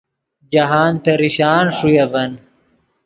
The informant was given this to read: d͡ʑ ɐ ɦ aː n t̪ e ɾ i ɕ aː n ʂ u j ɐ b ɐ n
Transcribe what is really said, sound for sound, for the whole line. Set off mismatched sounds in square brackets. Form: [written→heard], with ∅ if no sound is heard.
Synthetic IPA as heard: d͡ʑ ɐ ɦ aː n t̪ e ɾ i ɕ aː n ʂ u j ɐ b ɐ n

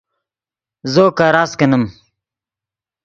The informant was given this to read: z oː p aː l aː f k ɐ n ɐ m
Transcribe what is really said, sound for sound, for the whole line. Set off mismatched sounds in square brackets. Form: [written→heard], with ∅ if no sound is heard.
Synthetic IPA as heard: z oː [p→k] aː [l→ɾ] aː [f→s] k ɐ n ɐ m

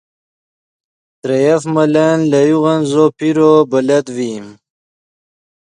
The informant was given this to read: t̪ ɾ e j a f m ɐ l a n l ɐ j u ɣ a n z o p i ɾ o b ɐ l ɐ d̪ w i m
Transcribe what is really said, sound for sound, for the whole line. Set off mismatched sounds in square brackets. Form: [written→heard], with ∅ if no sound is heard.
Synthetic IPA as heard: t̪ ɾ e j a f m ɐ l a n l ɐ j u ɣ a n z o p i ɾ o b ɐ l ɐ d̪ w i m

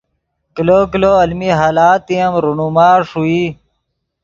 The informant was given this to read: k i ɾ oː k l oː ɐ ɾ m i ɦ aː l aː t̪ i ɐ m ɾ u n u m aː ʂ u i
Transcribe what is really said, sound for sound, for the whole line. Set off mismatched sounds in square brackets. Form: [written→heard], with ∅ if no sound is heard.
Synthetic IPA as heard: k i [ɾ→l] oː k l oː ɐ [ɾ→l] m i ɦ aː l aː t̪ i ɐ m ɾ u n u m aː ʂ u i

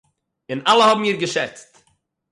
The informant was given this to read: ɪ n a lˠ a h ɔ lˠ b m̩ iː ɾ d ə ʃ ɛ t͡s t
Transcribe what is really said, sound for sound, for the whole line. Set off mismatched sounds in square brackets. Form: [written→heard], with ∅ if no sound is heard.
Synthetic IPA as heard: ɪ n a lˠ [a→ə] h ɔ [lˠ→∅] b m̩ iː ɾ [d→ɡ] ə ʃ ɛ t͡s t

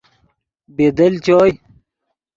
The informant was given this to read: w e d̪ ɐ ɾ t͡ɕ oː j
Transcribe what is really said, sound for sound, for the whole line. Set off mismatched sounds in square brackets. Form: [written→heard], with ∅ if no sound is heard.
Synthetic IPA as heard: [w→b] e d̪ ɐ [ɾ→l] t͡ɕ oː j

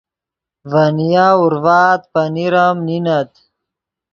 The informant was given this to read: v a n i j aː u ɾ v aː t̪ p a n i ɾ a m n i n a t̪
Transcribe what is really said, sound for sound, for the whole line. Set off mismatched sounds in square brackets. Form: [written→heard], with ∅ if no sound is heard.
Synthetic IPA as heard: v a n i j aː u ɾ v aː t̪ p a n i ɾ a m n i n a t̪

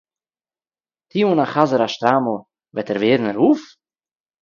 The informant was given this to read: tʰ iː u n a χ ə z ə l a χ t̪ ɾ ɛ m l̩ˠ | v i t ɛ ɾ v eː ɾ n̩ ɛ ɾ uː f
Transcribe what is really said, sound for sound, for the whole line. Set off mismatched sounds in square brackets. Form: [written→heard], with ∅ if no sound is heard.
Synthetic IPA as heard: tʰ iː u n a χ [ə→a] z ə [l→ɾ] a [χ→ʃ] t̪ ɾ [ɛ→a] m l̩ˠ | v [i→ɛ] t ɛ ɾ v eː ɾ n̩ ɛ ɾ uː f

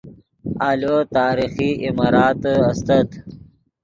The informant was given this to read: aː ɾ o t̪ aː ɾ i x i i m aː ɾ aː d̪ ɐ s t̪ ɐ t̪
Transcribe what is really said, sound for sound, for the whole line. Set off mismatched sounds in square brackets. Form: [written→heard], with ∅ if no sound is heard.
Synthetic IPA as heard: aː [ɾ→l] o t̪ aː ɾ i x i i m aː ɾ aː [d̪→t̪] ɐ s t̪ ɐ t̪

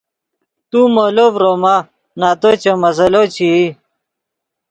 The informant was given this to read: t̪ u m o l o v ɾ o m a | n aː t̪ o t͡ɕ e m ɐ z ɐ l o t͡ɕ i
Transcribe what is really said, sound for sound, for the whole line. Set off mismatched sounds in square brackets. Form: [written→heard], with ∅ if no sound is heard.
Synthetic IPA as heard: t̪ u m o l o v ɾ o m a | n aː t̪ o t͡ɕ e m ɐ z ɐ l o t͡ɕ i

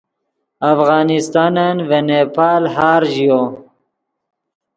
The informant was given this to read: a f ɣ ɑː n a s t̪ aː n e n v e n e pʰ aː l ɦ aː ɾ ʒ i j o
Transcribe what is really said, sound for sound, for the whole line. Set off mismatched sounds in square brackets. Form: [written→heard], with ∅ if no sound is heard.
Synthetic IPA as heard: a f ɣ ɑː n [a→i] s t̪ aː n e n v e n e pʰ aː l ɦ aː ɾ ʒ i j o

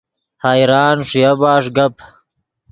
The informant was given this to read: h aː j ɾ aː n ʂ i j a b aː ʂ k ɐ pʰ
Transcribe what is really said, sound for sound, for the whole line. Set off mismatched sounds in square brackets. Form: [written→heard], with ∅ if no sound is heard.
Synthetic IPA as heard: h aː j ɾ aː n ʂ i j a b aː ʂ [k→ɡ] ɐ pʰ

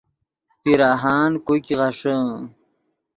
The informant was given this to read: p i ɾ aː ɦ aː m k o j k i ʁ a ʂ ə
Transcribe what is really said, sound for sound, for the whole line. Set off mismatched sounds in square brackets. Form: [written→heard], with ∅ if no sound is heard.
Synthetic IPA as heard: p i ɾ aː ɦ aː [m→n] k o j k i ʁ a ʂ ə

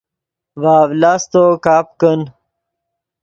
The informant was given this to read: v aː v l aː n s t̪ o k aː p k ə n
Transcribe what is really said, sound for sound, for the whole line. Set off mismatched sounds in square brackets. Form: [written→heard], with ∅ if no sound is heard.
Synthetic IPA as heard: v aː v l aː [n→∅] s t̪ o k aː p k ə n

